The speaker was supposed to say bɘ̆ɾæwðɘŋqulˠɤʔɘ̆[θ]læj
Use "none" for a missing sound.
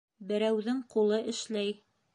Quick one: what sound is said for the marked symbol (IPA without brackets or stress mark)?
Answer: ʃ